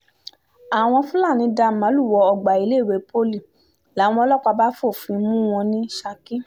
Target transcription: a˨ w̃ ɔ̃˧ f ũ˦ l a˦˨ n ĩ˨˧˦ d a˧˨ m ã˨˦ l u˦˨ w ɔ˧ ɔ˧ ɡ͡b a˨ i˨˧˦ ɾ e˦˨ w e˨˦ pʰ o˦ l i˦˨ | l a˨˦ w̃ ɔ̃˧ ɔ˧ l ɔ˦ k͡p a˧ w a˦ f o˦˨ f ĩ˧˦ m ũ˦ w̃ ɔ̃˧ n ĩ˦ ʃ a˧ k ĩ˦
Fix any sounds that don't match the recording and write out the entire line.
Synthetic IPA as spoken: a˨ w̃ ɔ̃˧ f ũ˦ l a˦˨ n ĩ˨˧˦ d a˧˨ m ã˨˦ l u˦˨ w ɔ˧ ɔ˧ ɡ͡b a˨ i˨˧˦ l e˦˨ w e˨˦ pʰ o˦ l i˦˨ | l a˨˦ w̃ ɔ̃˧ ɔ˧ l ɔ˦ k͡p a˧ b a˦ f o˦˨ f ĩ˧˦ m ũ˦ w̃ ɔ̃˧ n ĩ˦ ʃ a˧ k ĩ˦